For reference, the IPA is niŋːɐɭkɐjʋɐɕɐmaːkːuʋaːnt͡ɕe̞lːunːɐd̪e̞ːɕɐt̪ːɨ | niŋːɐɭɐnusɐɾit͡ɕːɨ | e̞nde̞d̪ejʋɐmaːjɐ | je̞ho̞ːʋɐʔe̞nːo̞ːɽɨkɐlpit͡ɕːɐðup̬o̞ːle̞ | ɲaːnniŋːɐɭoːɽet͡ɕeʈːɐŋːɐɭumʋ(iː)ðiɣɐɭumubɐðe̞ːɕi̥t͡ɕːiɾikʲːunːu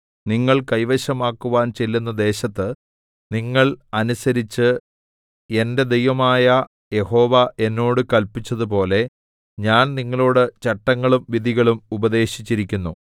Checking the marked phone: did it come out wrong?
yes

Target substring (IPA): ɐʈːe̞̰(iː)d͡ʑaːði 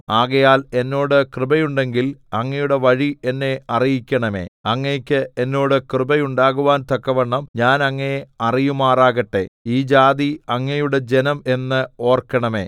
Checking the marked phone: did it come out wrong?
no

